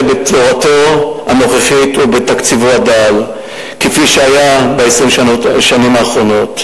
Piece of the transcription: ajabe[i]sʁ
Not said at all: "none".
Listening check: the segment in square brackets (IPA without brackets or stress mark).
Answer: e